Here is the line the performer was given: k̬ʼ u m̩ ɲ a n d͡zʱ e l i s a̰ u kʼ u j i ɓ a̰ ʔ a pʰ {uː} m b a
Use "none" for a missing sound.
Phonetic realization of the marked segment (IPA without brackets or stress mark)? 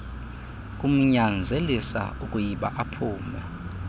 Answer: uː